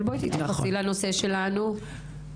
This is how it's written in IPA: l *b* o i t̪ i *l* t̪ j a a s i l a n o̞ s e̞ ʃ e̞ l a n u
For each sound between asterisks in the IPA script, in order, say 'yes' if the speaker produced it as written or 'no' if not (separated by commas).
yes, no